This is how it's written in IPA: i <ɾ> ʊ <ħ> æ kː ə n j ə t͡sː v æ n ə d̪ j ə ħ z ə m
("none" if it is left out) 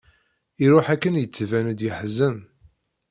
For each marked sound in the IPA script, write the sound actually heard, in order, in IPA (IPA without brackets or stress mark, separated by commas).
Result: ɾ, ħ